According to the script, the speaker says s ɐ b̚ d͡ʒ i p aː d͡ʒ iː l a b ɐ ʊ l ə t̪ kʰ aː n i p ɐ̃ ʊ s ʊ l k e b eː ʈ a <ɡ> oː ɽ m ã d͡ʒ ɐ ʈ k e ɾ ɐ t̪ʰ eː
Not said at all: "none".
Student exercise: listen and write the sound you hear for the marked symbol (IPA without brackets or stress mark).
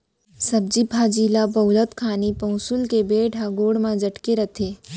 ɡ